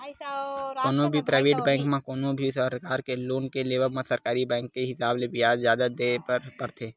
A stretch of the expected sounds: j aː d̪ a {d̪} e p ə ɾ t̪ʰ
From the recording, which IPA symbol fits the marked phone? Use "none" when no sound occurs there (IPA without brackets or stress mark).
d̪